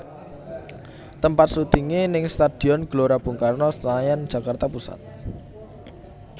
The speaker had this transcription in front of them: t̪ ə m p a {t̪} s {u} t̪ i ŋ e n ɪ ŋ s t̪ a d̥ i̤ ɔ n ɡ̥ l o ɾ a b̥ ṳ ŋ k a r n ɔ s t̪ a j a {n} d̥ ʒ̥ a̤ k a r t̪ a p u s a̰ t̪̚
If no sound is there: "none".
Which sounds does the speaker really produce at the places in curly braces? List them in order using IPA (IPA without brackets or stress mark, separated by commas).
t̪, u, n